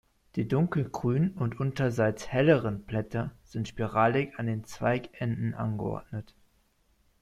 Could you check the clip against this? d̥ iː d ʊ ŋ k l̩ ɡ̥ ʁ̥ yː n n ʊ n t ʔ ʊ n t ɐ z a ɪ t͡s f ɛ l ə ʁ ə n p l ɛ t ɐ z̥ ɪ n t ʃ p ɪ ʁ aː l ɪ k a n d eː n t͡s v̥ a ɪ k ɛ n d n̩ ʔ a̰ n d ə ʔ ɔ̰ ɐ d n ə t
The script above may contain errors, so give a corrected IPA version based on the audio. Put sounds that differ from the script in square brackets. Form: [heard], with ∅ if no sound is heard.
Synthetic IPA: d̥ iː d ʊ ŋ k l̩ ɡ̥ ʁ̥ yː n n ʊ n t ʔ ʊ n t ɐ z a ɪ t͡s [h] ɛ l ə ʁ ə n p l ɛ t ɐ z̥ ɪ n t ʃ p [i] ʁ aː l ɪ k a n d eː n t͡s v̥ a ɪ k ɛ n d n̩ ʔ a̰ n [ɡ] ə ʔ ɔ̰ ɐ d n ə t